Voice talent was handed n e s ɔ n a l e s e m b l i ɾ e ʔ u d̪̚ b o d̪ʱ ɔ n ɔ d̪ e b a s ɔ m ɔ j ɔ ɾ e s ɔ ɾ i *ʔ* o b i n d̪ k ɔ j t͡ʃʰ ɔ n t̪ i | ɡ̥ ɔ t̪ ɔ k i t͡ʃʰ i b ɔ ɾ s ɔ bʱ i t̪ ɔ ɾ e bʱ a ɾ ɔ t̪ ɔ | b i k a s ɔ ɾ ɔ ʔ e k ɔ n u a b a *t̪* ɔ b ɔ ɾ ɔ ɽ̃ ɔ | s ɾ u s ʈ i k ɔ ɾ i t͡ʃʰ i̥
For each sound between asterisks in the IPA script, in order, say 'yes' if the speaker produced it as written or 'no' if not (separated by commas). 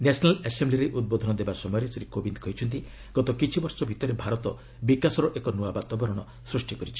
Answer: no, yes